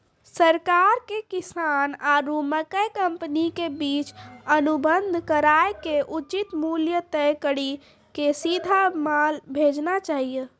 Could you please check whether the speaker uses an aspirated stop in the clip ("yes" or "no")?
no